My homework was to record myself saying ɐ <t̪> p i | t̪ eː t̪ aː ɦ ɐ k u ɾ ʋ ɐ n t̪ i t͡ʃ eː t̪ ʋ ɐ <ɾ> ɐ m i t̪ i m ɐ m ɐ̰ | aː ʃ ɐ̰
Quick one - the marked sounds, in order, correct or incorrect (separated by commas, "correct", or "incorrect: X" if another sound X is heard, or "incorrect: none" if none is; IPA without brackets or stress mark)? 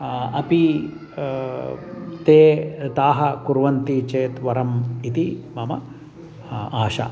incorrect: none, correct